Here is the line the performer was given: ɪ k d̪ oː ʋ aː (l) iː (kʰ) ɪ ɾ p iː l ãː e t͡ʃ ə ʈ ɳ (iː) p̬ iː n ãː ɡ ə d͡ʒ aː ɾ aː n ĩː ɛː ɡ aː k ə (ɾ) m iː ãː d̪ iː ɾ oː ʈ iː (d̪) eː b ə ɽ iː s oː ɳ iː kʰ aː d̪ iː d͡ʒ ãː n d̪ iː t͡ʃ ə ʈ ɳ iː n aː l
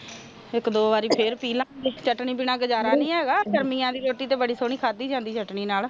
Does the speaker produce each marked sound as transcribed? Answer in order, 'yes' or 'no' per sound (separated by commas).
no, no, yes, yes, no